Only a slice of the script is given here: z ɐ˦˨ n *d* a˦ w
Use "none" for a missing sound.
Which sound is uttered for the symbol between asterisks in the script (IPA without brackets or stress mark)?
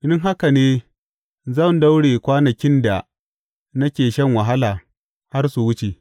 d